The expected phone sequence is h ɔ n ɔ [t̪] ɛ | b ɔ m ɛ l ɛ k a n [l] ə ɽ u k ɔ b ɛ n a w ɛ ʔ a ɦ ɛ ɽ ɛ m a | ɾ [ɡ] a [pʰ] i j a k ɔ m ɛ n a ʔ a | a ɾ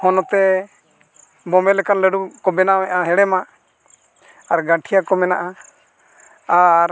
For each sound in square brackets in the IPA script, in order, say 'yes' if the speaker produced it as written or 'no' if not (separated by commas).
yes, yes, yes, no